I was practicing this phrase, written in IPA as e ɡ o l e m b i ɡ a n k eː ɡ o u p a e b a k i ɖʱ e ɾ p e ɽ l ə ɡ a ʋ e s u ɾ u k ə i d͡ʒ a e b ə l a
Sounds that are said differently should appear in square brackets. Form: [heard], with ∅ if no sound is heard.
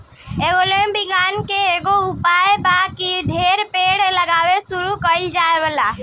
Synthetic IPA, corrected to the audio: e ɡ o l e m b i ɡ a n k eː ɡ o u p a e b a k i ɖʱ e ɾ p e ɽ l ə ɡ a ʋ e s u ɾ u k ə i d͡ʒ a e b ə l a